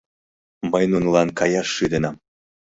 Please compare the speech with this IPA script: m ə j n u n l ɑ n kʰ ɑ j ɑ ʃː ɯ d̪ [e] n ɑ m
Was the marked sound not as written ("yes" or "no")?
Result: no